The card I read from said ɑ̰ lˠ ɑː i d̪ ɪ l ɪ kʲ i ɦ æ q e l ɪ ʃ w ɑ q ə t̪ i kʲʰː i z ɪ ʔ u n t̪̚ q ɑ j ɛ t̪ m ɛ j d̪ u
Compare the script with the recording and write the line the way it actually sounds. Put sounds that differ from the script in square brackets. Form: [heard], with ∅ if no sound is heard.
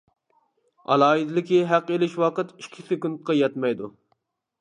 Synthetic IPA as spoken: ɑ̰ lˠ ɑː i d̪ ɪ l ɪ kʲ i ɦ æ q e l ɪ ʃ w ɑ q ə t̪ i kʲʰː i [s] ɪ [k] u n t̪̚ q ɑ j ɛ t̪ m ɛ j d̪ u